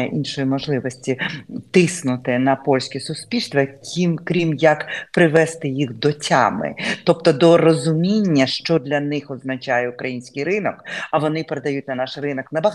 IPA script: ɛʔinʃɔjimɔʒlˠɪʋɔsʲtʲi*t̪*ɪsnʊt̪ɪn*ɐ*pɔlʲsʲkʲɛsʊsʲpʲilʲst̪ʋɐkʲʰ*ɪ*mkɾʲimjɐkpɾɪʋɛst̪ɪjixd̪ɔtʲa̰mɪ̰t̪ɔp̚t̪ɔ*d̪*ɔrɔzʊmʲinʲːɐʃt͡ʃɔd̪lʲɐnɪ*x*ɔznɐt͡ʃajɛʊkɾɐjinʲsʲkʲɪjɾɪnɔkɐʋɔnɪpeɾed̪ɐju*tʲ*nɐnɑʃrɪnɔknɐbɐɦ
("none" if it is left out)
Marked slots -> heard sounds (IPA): t̪, ɐ, i, d̪, x, tʲ

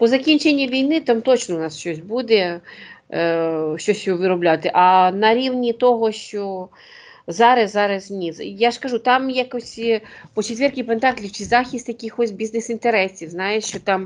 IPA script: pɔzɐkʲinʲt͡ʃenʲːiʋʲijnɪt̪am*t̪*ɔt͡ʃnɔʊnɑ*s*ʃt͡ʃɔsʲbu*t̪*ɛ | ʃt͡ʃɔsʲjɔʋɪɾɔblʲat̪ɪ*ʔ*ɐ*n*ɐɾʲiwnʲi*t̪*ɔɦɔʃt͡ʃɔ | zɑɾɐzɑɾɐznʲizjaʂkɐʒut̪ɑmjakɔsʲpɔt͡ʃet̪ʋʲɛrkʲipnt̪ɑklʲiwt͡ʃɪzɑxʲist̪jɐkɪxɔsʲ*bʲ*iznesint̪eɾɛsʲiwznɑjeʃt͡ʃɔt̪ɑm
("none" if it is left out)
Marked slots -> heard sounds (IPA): t̪, s, d̪, ʔ, n, t̪, bʲ

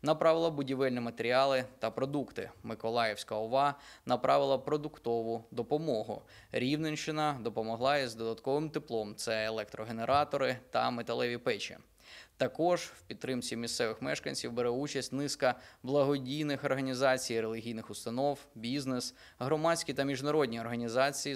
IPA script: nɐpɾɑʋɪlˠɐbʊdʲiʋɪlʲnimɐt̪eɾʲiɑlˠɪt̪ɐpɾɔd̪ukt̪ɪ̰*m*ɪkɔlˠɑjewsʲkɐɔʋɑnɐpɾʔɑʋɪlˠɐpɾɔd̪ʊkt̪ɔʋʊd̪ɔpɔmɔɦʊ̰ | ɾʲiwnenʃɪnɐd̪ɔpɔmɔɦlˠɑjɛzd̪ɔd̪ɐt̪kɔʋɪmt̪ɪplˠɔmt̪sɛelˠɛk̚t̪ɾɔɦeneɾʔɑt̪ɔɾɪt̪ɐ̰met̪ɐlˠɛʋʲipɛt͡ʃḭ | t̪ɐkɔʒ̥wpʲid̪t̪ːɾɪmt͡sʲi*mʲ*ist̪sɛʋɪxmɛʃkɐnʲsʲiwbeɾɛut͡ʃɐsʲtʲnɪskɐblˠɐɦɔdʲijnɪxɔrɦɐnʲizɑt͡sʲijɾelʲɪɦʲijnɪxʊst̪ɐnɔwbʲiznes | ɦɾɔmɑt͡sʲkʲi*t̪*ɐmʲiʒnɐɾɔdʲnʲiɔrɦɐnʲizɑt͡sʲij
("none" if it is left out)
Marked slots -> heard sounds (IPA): m, mʲ, t̪

